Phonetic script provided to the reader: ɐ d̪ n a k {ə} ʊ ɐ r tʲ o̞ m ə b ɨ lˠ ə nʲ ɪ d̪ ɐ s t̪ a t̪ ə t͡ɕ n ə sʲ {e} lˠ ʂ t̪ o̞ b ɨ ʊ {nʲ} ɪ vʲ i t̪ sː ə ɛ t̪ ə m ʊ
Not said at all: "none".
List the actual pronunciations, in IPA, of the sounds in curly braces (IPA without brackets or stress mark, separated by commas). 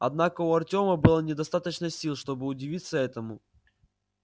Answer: ə, i, dʲ